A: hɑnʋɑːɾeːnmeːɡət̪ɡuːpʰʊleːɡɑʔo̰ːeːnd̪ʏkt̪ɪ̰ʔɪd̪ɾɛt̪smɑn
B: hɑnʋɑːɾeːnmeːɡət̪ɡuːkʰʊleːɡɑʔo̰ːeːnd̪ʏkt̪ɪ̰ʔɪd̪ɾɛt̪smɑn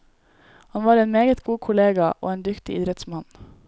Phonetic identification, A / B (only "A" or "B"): B